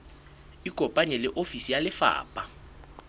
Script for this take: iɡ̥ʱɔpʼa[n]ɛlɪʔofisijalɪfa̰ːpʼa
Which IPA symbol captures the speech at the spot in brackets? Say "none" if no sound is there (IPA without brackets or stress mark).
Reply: ɲ